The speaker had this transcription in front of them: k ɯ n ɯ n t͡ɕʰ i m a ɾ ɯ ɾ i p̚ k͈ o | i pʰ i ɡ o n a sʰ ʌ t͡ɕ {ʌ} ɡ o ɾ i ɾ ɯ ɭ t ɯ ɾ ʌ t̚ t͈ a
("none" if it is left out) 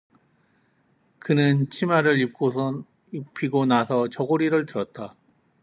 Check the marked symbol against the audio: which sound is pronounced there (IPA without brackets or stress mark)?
ʌ